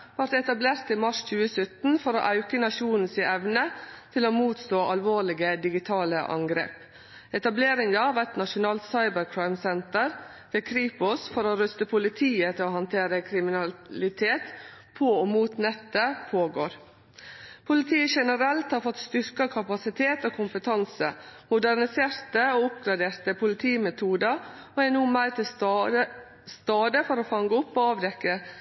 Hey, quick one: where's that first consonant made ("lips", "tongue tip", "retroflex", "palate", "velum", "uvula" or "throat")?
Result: lips